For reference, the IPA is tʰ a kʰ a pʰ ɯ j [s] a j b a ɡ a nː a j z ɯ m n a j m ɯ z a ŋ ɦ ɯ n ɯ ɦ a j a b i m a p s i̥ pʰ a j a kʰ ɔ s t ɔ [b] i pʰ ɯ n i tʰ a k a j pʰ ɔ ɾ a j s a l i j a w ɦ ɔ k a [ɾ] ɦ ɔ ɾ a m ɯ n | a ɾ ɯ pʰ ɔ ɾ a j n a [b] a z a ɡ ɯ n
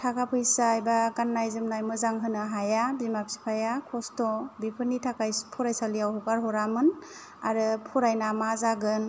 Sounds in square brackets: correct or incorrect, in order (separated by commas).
correct, correct, correct, incorrect